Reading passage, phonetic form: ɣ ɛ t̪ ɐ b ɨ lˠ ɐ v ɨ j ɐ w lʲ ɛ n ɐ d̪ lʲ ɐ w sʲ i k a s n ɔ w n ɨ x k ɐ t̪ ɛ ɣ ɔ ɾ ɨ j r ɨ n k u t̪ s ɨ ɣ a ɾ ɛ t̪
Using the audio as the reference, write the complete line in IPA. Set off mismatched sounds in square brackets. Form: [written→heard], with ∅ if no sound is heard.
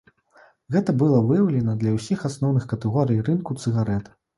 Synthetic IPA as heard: ɣ ɛ t̪ ɐ b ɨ lˠ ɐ v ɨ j ɐ w lʲ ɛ n ɐ d̪ lʲ ɐ w sʲ i [k→x] a s n ɔ w n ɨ x k ɐ t̪ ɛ ɣ ɔ ɾ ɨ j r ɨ n k u t̪ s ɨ ɣ a ɾ ɛ t̪